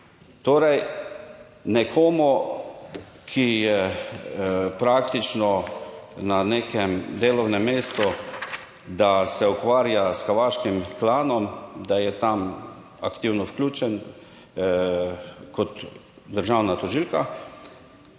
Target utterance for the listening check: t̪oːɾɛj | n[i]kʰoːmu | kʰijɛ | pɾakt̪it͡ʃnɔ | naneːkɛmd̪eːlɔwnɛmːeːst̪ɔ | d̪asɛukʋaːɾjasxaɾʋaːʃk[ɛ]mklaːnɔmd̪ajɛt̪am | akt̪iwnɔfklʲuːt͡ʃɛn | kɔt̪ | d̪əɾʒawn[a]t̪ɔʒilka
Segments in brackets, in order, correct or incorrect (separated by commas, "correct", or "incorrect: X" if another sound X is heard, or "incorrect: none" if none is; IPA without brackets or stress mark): incorrect: ɛ, incorrect: i, correct